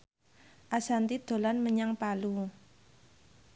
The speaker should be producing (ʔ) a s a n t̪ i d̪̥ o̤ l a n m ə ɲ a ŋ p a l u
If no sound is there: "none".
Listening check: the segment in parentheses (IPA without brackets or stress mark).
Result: ʔ